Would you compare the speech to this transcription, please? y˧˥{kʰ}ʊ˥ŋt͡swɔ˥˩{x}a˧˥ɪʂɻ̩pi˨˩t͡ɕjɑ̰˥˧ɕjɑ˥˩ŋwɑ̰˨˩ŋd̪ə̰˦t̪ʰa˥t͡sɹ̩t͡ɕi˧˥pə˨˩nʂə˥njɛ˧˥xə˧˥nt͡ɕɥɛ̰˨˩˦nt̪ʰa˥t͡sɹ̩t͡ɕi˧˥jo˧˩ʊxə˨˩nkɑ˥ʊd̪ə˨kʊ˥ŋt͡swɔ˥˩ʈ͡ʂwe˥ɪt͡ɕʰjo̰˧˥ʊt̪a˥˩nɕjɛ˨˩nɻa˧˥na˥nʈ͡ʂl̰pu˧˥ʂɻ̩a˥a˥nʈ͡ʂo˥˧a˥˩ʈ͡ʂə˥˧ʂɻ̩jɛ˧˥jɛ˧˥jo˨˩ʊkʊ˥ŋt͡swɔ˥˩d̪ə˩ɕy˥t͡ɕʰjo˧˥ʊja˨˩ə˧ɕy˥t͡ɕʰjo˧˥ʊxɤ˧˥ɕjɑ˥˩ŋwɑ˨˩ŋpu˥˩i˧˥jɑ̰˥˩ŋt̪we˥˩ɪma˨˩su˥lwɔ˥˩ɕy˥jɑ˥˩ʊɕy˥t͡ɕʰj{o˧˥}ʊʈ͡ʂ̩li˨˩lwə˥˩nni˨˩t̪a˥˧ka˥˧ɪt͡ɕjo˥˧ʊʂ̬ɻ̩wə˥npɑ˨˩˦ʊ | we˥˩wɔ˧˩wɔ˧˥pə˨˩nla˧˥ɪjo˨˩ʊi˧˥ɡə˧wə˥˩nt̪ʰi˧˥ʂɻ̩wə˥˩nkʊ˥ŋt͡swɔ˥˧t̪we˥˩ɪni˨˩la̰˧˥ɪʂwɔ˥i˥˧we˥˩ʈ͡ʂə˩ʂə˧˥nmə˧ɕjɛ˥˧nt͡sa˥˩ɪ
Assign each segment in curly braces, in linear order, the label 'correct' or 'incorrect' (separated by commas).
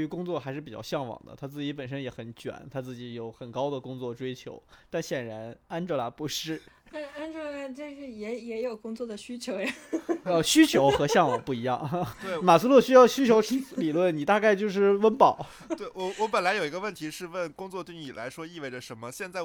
incorrect, correct, correct